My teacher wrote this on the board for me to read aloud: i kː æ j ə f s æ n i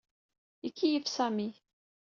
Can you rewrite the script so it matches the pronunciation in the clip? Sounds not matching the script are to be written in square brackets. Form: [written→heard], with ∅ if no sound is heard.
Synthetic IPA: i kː [æ→i] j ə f s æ [n→m] i